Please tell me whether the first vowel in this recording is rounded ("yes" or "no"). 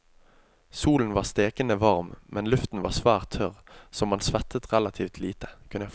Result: yes